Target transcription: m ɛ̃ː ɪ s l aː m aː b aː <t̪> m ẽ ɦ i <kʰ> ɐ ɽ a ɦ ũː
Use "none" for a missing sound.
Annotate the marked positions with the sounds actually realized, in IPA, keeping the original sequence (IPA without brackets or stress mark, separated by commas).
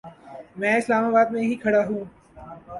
d̪, kʰ